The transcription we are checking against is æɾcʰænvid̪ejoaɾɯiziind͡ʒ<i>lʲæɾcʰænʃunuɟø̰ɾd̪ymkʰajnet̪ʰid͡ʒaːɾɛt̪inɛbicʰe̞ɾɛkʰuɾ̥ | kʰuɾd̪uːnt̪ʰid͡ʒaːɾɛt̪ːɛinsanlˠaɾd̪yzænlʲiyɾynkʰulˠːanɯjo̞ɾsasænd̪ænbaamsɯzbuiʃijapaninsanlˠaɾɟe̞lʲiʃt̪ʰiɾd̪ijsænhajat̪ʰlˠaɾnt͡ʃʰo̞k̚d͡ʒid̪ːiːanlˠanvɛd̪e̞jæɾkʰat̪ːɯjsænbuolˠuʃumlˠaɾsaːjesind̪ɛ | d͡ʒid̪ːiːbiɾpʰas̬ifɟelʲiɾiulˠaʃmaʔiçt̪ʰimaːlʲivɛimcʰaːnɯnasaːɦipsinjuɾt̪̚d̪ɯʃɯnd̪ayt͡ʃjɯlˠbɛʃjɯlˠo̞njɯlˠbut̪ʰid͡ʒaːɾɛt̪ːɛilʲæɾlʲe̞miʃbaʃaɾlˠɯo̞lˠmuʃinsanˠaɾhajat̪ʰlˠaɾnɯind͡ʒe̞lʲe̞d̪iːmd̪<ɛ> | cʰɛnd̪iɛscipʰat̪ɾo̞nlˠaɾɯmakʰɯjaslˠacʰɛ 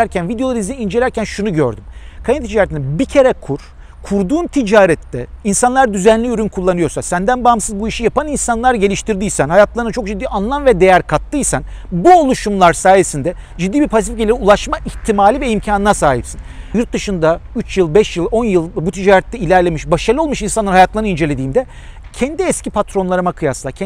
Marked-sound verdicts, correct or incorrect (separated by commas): incorrect, correct